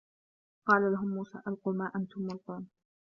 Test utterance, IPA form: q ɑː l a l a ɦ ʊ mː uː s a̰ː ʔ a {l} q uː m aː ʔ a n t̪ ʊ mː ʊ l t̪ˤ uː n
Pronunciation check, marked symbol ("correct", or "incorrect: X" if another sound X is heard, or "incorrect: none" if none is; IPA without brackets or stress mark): correct